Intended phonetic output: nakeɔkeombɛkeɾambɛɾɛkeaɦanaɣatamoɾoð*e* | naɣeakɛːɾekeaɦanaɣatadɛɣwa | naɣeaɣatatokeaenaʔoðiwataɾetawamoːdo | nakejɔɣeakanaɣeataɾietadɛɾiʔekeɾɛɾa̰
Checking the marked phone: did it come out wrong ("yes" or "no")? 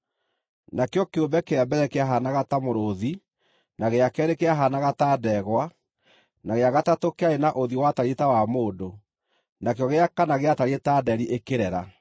yes